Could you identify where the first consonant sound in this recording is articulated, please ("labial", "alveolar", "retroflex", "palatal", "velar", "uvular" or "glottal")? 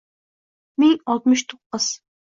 labial